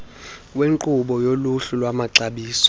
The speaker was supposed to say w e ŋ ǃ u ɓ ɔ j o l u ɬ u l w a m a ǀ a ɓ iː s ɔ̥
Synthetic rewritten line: w e ŋ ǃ u ɓ ɔ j o l u ɬ u l w a m a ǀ a ɓ iː s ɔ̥